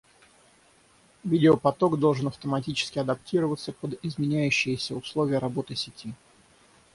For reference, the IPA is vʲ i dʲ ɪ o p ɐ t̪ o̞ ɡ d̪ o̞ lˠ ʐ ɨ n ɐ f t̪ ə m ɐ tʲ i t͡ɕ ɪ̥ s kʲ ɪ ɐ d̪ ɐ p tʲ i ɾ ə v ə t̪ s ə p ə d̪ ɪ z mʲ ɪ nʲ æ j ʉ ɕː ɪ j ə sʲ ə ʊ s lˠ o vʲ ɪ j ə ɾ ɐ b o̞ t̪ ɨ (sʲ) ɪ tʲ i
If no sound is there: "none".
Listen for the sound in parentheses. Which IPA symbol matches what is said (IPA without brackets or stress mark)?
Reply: sʲ